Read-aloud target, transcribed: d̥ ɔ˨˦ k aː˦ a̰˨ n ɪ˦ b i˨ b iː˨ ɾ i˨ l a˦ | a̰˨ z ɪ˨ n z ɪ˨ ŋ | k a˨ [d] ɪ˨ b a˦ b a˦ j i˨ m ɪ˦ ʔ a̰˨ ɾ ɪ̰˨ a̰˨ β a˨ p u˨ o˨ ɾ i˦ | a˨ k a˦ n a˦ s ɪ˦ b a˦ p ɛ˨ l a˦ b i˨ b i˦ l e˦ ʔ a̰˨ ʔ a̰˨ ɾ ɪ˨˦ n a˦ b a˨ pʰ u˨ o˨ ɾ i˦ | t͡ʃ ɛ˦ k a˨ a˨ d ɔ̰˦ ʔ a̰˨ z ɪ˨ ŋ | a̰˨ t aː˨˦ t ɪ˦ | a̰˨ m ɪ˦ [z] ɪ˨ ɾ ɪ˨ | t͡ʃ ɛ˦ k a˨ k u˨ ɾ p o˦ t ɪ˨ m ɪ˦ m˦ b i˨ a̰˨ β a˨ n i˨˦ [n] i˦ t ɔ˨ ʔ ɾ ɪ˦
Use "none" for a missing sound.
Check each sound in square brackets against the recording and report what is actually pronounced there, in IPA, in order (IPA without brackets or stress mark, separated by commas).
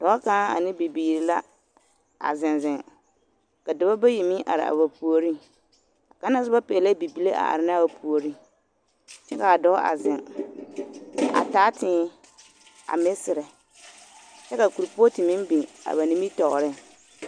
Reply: d, s, m